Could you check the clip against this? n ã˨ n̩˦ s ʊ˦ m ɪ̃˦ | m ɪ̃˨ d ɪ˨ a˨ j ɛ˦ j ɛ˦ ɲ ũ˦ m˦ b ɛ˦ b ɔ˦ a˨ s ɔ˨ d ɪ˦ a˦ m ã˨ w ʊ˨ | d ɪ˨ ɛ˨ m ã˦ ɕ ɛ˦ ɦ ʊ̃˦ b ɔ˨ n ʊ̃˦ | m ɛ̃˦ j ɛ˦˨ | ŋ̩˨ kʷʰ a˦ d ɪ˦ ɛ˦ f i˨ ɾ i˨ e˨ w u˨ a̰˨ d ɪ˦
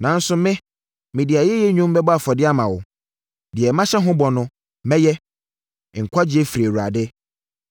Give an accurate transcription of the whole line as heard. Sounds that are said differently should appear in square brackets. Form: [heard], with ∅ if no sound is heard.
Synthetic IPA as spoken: n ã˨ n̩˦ s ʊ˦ m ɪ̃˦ | m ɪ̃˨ d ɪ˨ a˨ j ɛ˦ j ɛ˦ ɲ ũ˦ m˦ b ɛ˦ b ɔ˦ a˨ [f] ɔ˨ d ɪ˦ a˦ m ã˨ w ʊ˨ | d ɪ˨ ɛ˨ m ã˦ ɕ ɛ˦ ɦ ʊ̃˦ b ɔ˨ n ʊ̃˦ | m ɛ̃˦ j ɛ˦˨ | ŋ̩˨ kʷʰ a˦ [d͡ʑ] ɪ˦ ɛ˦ f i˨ ɾ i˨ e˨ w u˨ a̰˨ d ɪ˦

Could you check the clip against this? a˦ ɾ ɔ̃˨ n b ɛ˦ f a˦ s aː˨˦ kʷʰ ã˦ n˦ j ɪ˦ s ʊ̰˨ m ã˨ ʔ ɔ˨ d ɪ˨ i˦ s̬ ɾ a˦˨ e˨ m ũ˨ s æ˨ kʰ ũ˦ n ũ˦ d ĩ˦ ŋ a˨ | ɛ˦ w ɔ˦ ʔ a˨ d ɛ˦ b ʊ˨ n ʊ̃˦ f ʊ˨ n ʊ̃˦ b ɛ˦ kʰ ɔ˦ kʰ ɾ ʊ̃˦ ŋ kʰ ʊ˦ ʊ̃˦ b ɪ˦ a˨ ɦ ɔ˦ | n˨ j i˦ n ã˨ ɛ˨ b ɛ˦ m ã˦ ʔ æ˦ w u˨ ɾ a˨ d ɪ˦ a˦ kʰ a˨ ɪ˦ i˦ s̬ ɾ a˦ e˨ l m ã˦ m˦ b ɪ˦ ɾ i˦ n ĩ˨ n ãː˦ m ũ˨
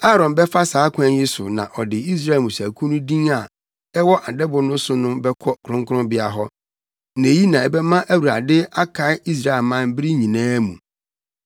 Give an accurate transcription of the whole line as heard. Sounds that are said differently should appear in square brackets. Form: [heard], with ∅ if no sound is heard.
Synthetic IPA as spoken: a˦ ɾ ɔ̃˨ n b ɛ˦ f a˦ s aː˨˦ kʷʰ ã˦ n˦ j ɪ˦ s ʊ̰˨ [n] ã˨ ʔ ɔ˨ d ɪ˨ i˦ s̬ ɾ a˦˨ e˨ m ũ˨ s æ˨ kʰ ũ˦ n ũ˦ d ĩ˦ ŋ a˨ | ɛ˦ w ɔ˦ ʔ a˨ d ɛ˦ b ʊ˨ n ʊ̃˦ [s] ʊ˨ n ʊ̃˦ b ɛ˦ kʰ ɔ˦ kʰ ɾ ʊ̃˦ ŋ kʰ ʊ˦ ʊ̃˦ b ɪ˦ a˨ ɦ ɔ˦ | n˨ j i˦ n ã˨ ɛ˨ b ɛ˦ m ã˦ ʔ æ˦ w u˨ ɾ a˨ d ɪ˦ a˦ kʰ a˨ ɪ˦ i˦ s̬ ɾ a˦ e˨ l m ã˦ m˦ b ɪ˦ ɾ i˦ [ɲ] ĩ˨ n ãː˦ m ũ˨

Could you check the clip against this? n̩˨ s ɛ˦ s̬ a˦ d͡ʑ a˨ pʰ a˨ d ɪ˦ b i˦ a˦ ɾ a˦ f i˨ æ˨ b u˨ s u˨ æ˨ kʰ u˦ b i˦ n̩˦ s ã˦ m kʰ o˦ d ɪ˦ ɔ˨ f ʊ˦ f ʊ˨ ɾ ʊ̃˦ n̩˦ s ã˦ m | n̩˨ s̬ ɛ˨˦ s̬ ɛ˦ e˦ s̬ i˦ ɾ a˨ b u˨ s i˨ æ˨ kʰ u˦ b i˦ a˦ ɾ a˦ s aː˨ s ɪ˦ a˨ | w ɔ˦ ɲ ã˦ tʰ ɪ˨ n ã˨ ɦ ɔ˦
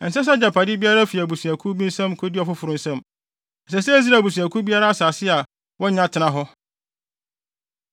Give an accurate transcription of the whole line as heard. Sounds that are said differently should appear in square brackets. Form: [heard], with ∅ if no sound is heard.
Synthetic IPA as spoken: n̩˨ s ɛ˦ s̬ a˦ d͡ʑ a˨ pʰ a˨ d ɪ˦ b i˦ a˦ ɾ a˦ f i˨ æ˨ b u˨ s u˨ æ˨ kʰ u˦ b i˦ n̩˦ s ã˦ m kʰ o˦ d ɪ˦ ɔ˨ f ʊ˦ f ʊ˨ ɾ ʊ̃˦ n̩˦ s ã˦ m | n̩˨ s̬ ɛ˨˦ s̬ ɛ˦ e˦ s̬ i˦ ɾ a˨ b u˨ s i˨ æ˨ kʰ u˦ b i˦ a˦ ɾ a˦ s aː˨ s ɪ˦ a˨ | w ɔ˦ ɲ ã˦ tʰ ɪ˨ n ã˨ ɦ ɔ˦

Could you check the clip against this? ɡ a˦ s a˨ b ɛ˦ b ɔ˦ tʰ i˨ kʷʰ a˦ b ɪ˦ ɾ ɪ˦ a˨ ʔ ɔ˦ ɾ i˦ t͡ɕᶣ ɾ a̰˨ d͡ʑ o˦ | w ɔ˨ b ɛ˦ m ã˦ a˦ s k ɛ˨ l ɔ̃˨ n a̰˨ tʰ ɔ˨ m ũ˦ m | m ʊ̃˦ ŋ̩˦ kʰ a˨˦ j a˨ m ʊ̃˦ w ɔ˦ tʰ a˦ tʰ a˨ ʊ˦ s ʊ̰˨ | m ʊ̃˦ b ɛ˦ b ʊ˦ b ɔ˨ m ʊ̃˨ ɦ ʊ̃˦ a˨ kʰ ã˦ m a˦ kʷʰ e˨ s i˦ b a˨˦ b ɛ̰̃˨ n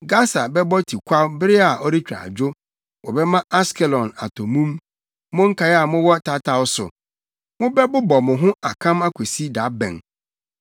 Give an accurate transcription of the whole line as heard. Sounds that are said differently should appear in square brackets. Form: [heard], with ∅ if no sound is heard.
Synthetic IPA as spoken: ɡ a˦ s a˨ b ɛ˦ b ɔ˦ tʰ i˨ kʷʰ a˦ b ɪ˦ ɾ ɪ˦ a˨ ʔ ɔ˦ ɾ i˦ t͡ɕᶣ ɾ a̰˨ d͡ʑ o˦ | w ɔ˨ b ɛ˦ m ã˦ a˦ s k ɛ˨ l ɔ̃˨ n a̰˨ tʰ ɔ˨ m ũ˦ m | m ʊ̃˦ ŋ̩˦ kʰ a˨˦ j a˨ m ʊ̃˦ w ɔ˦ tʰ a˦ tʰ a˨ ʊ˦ s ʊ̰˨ | m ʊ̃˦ b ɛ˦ b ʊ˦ b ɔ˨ m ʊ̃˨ ɦ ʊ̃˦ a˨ kʰ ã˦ m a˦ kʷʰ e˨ s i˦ [d] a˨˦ b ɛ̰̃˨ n

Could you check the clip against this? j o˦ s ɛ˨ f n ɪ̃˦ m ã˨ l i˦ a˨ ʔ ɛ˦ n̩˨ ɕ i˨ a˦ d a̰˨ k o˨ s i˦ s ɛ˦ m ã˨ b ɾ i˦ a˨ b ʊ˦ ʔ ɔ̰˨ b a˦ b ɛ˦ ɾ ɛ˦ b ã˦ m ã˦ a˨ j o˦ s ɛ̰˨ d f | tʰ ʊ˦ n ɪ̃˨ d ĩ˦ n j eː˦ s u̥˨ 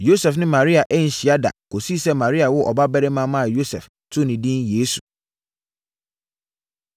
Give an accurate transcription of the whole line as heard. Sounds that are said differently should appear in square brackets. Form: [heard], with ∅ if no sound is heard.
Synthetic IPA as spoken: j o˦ s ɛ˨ f n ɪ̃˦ m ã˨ [ɾ] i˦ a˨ ʔ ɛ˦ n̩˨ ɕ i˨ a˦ d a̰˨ k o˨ s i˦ s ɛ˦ m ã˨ [∅] ɾ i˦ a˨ [w] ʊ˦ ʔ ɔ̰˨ b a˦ b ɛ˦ ɾ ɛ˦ [m] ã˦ m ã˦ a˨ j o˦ s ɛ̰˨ [∅] f | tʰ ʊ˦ n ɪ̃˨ d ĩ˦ n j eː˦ s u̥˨

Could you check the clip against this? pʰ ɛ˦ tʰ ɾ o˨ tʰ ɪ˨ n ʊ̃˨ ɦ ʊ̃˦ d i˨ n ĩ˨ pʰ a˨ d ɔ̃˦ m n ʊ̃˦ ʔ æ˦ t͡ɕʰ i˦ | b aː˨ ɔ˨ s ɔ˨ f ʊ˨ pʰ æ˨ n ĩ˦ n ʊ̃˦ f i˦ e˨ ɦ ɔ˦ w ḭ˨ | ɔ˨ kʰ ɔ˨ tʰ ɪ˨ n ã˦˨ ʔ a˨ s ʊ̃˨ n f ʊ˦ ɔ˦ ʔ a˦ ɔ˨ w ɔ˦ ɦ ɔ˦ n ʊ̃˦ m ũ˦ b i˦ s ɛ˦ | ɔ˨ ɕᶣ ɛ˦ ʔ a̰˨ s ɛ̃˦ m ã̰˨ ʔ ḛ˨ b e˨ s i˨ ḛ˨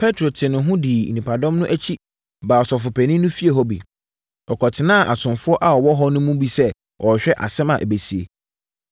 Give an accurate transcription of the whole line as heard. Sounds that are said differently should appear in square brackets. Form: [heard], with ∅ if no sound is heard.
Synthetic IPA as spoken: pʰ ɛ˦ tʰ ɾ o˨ tʰ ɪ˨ n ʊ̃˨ ɦ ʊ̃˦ d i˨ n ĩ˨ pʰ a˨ d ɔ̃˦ m n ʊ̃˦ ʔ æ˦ t͡ɕʰ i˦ | b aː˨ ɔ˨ s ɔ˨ f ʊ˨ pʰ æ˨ n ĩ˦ n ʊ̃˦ f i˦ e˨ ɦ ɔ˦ [b] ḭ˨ | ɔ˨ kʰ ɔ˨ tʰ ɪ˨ n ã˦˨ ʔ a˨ s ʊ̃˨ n f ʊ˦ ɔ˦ ʔ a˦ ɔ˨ w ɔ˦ ɦ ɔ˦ n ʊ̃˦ m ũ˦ b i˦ s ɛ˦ | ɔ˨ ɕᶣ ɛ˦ ʔ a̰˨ s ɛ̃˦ m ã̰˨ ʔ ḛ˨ b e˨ s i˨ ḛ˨

